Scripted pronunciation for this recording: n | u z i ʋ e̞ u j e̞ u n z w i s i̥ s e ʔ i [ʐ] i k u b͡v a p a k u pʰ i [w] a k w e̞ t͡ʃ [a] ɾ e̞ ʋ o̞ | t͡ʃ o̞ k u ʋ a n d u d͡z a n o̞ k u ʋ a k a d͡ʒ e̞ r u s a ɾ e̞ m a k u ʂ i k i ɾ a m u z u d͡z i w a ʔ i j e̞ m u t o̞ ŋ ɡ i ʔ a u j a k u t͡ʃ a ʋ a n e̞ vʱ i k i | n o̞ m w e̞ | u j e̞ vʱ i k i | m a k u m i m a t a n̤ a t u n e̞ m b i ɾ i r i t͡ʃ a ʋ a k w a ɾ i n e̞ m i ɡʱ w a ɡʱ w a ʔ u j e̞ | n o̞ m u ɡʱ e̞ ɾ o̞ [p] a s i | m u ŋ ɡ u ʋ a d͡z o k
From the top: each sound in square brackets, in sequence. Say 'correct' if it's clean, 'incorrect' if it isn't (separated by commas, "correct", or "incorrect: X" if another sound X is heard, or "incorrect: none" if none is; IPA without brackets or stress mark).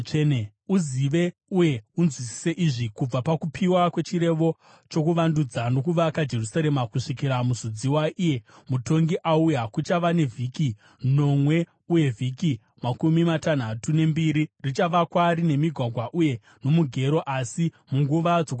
correct, correct, incorrect: i, incorrect: ʔ